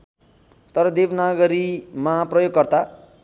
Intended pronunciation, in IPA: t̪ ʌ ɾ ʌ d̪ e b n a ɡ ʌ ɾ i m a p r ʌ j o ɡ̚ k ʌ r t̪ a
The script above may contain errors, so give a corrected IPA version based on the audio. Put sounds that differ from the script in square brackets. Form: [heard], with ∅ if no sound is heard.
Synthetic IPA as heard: t̪ ʌ ɾ ʌ d̪ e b n a ɡ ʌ ɾ i m a p r ʌ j o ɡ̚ k ʌ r t̪ a